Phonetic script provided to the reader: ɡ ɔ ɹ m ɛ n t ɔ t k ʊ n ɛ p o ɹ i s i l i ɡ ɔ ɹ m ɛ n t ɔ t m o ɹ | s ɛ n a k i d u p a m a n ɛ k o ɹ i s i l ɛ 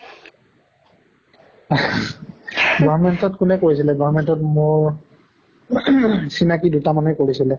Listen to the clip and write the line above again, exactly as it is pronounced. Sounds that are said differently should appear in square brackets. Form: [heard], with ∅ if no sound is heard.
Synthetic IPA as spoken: ɡ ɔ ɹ m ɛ n t ɔ t k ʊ n ɛ [k] o ɹ i s i l [ɛ] ɡ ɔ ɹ m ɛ n t ɔ t m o ɹ | s [i] n a k i d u [t] a m a n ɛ k o ɹ i s i l ɛ